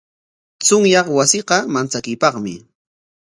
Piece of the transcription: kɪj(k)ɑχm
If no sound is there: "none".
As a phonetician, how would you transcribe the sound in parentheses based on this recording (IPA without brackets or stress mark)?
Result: p